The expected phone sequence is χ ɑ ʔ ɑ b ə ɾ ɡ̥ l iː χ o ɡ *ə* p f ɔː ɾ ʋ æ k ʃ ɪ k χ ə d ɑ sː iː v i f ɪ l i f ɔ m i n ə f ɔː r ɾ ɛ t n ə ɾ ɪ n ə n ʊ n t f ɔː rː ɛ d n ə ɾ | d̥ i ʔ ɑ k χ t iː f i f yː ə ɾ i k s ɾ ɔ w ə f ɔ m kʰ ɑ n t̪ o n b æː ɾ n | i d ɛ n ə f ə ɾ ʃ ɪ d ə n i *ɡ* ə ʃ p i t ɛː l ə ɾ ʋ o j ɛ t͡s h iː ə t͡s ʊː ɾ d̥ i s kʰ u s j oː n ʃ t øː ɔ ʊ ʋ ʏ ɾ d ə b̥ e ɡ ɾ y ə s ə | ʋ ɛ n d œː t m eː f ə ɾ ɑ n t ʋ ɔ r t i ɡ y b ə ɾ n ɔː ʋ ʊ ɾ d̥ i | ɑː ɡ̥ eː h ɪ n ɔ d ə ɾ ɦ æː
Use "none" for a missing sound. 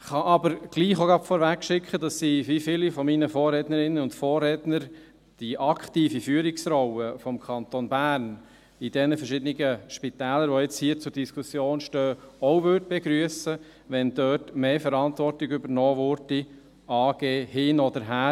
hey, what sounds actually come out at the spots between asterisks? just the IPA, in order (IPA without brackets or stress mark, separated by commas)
ɑ, ɡ